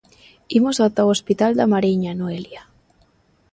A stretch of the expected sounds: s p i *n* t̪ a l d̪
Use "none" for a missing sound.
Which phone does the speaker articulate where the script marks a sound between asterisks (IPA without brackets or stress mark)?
none